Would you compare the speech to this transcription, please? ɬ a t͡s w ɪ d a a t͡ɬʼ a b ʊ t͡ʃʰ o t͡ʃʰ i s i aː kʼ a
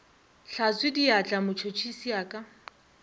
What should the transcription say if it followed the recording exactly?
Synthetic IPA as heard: ɬ a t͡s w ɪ d i a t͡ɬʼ a m ʊ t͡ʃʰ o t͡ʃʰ i s i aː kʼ a